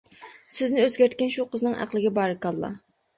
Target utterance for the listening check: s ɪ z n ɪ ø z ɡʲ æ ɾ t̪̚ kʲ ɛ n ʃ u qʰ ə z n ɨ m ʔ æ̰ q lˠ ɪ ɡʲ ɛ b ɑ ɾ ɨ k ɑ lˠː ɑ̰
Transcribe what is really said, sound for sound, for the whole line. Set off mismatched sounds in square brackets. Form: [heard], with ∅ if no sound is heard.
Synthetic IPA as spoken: s ɪ z n ɪ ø z ɡʲ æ ɾ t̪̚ kʲ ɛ n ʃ u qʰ ə z n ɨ [ŋ] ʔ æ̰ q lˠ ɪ ɡʲ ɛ b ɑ ɾ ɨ k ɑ lˠː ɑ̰